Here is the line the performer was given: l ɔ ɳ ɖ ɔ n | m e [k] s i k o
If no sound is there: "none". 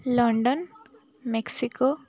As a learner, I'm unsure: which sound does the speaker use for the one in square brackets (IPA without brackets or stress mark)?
k